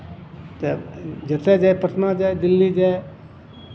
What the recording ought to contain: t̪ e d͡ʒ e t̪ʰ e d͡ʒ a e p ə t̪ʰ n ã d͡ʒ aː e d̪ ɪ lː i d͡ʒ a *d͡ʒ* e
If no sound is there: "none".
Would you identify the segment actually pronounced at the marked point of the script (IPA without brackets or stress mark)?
none